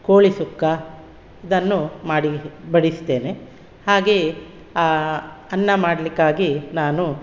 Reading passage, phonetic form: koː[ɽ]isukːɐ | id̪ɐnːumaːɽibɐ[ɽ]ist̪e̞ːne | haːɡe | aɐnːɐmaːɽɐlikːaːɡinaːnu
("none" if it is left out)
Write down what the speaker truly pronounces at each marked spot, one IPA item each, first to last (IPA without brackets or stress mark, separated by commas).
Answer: ɭ, ɽ